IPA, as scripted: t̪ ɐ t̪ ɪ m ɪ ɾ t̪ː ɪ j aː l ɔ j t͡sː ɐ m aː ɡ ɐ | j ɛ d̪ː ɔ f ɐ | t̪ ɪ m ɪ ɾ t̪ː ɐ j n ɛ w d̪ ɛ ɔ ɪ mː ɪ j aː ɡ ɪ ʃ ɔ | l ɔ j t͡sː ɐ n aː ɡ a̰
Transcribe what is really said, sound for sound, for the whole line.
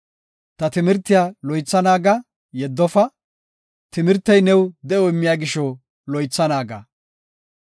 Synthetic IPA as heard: t̪ ɐ t̪ ɪ m ɪ ɾ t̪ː ɪ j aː l ɔ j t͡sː ɐ n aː ɡ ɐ | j ɛ d̪ː ɔ f ɐ | t̪ ɪ m ɪ ɾ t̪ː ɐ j n ɛ w d̪ ɛ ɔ ɪ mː ɪ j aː ɡ ɪ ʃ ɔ | l ɔ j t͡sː ɐ n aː ɡ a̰